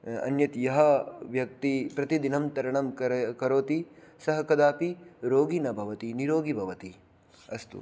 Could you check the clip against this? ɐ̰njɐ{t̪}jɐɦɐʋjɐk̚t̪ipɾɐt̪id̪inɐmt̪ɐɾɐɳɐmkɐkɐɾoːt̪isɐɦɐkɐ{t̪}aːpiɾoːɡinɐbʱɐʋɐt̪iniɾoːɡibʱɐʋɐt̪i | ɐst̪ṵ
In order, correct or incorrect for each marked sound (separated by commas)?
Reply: correct, incorrect